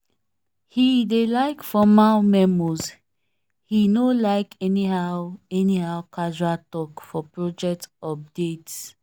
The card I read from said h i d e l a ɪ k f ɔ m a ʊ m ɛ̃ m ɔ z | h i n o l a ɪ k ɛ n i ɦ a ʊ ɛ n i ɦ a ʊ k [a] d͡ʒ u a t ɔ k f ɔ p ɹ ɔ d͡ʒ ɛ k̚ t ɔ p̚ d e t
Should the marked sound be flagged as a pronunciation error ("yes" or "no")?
no